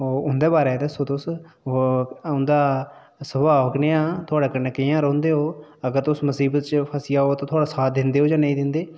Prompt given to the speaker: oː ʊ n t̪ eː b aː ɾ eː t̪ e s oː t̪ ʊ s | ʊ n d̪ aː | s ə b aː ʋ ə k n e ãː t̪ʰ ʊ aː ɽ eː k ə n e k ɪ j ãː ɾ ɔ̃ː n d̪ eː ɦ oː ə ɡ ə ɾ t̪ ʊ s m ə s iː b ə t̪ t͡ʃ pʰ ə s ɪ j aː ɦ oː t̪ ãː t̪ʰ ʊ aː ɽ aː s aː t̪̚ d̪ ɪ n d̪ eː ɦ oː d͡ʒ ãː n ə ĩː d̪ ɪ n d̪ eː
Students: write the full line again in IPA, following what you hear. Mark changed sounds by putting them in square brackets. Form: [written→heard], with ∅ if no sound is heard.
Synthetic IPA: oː ʊ n [t̪→d̪] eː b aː ɾ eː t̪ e s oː t̪ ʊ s | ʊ n d̪ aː | s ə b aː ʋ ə k n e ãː t̪ʰ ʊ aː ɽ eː k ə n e k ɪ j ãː ɾ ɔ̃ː n d̪ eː ɦ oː ə ɡ ə ɾ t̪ ʊ s m ə s iː b ə t̪ t͡ʃ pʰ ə s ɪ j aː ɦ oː t̪ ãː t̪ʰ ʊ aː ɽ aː s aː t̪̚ d̪ ɪ n d̪ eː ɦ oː d͡ʒ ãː n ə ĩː d̪ ɪ n d̪ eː